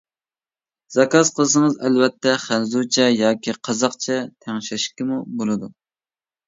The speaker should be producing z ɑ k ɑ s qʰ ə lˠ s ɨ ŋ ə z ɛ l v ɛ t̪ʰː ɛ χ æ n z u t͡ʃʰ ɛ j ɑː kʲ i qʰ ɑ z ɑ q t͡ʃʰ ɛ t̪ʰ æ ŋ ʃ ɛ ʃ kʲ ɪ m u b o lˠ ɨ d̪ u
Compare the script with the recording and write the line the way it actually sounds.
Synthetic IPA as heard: z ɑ k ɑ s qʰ ə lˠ s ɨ ŋ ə z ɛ l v ɛ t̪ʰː ɛ χ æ n z u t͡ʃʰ ɛ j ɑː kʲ i qʰ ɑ z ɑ q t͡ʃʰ ɛ t̪ʰ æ ŋ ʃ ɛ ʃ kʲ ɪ m u b o lˠ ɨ d̪ u